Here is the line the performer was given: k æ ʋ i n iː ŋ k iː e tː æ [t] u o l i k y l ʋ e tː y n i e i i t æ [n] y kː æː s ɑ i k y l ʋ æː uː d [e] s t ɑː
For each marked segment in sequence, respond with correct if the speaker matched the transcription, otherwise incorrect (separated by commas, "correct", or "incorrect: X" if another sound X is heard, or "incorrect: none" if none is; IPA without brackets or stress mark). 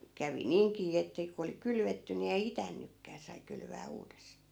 incorrect: k, incorrect: nː, correct